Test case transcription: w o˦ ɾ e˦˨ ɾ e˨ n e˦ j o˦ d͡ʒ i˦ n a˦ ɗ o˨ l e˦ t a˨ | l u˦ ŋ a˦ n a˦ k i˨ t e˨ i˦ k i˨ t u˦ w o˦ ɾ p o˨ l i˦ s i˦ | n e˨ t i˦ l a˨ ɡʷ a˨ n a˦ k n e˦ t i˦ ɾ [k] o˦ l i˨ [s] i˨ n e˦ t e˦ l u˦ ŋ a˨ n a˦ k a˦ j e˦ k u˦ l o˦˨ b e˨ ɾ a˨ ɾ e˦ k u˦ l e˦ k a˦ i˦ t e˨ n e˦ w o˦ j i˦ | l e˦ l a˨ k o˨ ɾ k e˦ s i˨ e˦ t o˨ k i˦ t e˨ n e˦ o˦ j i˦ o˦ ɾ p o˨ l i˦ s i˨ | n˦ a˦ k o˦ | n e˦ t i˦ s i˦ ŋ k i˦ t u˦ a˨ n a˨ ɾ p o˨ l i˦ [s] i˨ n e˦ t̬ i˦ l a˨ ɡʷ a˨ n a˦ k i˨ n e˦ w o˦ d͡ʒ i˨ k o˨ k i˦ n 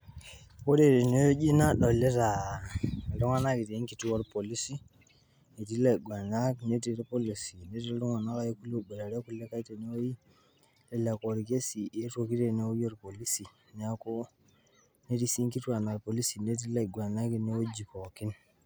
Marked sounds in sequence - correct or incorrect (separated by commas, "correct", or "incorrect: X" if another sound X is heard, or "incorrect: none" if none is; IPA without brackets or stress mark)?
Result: incorrect: p, correct, correct